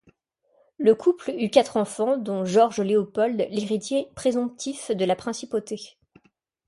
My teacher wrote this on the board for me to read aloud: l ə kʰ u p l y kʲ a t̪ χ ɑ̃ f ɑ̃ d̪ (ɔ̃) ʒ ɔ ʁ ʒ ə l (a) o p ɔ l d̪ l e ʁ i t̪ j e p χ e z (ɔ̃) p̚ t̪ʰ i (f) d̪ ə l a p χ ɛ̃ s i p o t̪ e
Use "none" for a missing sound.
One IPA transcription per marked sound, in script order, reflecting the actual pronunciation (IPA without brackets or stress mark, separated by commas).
ɔ̃, e, ɔ̃, f